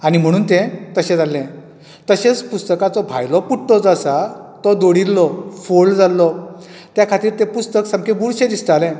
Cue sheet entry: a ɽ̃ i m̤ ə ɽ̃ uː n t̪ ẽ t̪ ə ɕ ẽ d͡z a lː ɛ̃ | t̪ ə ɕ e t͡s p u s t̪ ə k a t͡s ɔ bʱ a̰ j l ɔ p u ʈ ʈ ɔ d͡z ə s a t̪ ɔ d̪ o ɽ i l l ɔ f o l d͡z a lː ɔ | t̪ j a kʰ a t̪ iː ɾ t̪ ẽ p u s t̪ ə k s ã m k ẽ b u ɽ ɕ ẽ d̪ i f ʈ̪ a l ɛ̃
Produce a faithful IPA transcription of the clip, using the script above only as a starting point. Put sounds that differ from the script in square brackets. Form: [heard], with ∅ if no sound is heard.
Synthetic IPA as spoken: a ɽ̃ i m̤ ə ɽ̃ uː n t̪ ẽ t̪ ə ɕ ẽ d͡z a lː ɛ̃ | t̪ ə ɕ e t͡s p u s t̪ ə k a t͡s ɔ bʱ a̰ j l ɔ p u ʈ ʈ ɔ d͡z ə s a t̪ ɔ d̪ o ɽ i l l ɔ f o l d͡z a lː ɔ | t̪ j a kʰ a t̪ iː ɾ t̪ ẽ p u s t̪ ə k s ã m k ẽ b u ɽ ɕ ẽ d̪ i [s] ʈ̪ a l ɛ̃